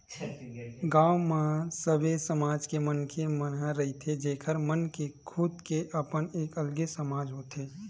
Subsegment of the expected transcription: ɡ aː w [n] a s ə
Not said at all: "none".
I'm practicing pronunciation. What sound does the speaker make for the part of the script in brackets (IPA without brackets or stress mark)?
m